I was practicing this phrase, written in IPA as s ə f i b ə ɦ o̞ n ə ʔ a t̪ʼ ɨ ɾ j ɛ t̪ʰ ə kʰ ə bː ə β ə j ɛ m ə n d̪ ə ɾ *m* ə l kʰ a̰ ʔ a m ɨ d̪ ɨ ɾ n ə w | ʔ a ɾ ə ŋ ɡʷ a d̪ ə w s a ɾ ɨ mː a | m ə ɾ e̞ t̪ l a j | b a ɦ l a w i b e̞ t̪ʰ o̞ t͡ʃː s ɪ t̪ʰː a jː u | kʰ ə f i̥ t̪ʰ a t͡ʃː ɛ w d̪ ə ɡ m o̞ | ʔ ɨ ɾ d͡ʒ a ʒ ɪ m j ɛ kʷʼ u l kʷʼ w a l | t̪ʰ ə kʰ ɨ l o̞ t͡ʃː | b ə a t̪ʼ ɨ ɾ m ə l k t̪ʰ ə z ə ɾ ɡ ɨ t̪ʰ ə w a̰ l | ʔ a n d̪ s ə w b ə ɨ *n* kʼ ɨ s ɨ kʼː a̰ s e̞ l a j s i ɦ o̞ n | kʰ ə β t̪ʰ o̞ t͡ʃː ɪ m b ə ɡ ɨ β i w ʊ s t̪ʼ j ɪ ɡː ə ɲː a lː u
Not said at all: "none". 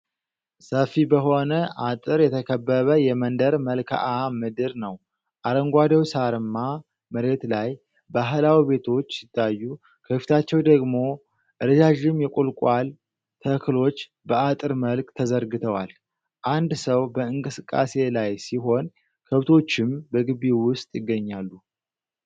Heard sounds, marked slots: m, ŋ

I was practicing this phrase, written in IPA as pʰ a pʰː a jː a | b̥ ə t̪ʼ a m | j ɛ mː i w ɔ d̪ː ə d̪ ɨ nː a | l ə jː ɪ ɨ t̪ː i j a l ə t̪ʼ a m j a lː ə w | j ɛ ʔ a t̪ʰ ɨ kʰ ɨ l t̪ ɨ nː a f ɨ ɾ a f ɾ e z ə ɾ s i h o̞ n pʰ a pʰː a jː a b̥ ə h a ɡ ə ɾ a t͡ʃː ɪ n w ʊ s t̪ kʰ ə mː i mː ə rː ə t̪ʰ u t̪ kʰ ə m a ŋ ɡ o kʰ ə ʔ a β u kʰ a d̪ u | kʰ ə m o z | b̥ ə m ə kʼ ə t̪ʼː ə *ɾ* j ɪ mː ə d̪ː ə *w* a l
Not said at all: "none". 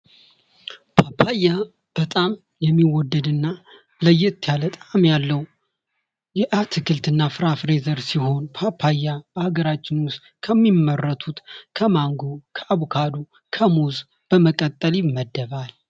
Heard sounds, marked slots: l, β

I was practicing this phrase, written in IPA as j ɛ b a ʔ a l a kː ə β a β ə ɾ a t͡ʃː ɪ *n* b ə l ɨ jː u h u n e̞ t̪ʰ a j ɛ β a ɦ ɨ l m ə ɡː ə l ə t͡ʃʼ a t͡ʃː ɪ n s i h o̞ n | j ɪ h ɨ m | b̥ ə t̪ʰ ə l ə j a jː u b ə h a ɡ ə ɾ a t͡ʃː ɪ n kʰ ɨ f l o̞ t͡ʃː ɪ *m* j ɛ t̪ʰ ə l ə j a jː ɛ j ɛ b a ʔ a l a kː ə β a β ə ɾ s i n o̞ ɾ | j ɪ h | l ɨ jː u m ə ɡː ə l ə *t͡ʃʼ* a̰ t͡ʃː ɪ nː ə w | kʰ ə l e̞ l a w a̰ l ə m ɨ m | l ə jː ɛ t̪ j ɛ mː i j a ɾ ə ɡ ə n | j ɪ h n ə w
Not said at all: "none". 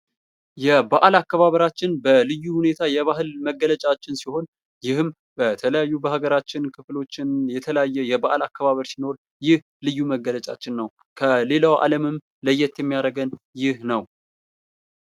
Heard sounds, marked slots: n, n, t͡ʃʼ

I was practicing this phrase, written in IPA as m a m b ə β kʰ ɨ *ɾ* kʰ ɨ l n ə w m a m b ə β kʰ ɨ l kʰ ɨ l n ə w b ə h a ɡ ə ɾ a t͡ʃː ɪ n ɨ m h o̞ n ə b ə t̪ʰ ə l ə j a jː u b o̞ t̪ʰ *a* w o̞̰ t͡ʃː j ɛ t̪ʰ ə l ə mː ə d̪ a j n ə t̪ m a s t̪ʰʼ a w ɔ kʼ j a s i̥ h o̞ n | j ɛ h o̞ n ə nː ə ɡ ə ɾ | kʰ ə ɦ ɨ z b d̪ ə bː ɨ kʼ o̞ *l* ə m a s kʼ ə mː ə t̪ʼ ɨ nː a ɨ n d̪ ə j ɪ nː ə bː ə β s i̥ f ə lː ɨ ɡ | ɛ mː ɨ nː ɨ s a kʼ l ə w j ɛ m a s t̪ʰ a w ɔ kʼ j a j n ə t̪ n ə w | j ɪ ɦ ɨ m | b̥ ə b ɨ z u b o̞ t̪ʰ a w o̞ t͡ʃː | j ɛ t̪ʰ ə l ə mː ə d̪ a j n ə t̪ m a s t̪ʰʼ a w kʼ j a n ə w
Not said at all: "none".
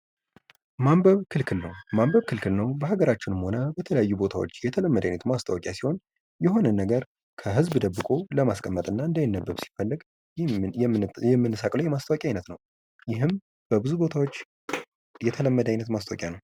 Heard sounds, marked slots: l, a, l

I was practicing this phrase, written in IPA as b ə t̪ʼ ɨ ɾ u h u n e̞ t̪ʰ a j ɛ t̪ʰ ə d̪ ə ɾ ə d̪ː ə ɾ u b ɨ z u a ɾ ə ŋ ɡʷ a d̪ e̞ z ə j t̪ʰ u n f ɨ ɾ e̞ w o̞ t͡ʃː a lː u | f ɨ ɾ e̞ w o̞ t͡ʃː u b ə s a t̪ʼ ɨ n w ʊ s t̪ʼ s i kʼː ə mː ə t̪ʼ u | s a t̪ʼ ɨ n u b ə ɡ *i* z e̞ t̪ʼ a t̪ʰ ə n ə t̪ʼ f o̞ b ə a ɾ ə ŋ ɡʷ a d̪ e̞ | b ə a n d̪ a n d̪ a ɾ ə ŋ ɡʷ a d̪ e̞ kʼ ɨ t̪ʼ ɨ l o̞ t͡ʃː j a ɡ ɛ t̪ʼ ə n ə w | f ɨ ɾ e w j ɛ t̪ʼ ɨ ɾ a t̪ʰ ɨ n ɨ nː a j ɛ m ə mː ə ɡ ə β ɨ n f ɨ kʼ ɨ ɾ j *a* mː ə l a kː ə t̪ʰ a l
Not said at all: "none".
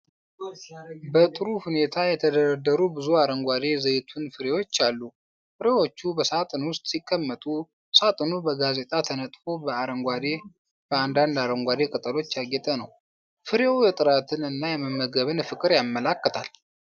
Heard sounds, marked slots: a, a

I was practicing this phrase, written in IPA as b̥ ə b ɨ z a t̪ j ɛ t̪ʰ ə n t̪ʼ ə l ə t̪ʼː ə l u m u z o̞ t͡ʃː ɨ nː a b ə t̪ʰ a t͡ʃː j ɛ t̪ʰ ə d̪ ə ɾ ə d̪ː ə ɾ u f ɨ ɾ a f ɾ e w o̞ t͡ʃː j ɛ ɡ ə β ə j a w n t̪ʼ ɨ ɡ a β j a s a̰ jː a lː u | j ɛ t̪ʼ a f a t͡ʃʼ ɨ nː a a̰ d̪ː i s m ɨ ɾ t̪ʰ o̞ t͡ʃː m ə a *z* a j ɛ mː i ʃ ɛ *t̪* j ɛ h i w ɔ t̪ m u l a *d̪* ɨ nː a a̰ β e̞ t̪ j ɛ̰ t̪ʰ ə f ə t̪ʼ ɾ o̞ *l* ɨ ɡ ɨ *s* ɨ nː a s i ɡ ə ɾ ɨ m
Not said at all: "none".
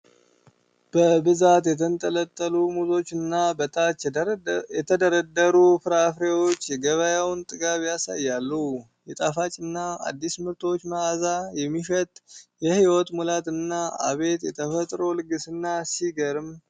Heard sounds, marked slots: z, t̪ʼ, t̪, l, s

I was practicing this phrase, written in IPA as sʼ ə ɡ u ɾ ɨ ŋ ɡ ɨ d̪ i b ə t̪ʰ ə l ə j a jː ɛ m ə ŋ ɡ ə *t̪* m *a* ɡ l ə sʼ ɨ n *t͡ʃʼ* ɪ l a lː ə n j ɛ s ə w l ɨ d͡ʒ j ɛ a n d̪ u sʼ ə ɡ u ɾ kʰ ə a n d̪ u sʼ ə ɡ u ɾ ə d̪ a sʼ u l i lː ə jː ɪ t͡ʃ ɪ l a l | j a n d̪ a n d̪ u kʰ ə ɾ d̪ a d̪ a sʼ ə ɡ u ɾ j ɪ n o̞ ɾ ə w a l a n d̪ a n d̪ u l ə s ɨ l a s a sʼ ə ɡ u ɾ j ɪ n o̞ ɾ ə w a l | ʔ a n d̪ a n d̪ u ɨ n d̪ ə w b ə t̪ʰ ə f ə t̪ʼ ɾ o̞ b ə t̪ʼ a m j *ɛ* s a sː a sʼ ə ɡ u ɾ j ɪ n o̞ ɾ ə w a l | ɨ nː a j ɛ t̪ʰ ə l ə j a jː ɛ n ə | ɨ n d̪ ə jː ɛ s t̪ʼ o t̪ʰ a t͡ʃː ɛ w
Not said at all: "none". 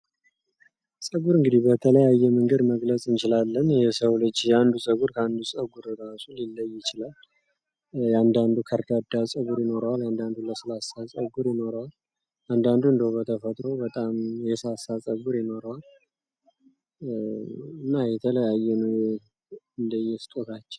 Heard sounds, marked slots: d̪, ə, t͡ʃ, ɛ

